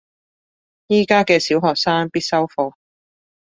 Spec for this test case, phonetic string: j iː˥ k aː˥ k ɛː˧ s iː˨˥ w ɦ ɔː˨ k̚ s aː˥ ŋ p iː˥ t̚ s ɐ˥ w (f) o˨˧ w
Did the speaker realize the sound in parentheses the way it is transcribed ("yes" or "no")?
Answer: yes